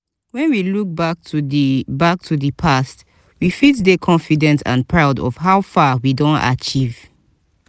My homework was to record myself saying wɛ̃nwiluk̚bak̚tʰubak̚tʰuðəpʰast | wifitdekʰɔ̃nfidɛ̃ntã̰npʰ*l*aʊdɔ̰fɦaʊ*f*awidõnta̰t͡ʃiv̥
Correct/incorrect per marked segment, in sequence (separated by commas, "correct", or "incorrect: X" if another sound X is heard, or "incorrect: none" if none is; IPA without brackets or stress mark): incorrect: ɹ, correct